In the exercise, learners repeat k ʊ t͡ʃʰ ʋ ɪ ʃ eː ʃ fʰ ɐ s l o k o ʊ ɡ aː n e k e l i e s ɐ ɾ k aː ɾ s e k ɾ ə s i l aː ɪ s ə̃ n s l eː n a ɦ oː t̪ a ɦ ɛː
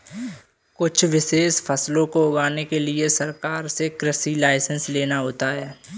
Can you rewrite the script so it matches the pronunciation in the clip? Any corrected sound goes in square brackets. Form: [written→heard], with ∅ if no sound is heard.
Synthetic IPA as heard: k ʊ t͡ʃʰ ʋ ɪ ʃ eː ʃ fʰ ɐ s l [o→õ] k o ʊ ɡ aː n e k e l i e s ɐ ɾ k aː ɾ s e k ɾ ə s i l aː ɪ s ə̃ n s l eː n a ɦ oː t̪ a ɦ ɛː

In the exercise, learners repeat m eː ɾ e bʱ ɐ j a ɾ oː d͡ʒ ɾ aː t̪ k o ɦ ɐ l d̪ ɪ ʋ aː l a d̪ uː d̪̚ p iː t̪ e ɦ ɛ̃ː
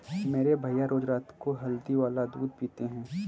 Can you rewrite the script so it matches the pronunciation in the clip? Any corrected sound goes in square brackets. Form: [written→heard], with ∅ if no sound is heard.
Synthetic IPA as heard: m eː ɾ e bʱ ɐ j a ɾ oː d͡ʒ ɾ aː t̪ k o ɦ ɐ l d̪ [ɪ→i] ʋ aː l a d̪ uː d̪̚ p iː t̪ e ɦ ɛ̃ː

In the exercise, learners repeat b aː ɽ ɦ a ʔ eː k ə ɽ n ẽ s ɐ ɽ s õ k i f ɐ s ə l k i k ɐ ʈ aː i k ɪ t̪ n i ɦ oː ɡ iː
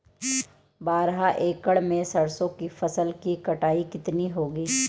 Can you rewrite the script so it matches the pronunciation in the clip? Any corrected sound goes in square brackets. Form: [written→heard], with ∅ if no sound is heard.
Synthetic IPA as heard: b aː [ɽ→ɾ] ɦ a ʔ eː k ə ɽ [n→m] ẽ s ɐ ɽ s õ k i f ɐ s ə l k i k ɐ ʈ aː i k ɪ t̪ n i ɦ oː ɡ iː

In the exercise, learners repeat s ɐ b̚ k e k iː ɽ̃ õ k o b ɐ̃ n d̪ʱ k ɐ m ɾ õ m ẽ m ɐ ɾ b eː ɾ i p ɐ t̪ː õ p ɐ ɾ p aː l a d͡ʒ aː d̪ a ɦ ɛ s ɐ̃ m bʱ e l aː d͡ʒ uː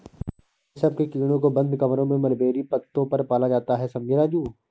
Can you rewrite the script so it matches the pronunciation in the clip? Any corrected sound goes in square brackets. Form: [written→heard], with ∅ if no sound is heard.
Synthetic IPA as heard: s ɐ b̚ k e k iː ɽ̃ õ k o b ɐ̃ n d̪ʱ k ɐ m ɾ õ m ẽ m ɐ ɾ b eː ɾ i p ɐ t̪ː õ p ɐ ɾ p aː l a d͡ʒ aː [d̪→t̪] a ɦ ɛ s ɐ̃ m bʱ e [l→ɾ] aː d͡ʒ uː

